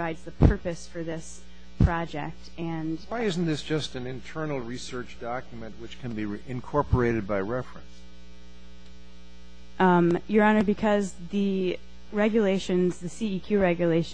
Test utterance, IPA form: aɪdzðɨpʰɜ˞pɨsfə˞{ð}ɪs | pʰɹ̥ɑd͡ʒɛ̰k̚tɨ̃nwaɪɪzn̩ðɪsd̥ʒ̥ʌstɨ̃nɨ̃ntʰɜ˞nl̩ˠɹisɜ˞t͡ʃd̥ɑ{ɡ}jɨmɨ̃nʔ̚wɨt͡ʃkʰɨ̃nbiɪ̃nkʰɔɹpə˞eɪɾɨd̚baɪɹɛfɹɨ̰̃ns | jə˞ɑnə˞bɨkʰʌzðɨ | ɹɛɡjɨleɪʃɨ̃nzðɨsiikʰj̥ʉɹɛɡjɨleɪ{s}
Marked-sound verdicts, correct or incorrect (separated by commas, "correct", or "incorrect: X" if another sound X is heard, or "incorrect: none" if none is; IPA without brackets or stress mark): correct, incorrect: k, incorrect: ʃ